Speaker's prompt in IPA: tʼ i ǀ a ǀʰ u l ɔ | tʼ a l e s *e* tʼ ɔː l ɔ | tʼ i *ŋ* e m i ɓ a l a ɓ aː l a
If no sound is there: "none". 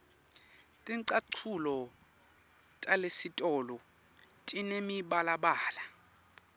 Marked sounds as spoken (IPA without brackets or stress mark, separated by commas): i, n